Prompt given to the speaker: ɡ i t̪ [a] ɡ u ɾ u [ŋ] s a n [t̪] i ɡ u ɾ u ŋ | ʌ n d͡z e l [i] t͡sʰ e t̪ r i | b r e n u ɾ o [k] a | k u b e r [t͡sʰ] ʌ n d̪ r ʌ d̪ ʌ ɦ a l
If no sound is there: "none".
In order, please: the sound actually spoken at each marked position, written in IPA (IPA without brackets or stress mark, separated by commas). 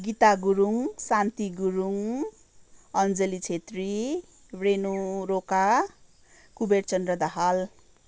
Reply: a, ŋ, t̪, i, k, t͡s